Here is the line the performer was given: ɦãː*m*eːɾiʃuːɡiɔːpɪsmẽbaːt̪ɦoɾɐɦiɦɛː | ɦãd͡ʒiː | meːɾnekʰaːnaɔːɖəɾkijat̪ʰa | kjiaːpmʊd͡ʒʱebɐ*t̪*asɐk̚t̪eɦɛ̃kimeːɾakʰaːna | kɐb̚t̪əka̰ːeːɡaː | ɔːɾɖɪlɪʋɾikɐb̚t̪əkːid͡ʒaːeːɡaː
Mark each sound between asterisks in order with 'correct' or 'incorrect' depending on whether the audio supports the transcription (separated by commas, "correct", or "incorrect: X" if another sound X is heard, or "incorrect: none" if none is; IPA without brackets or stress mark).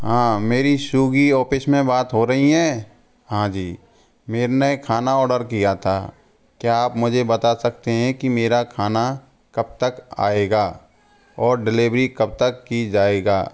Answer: correct, correct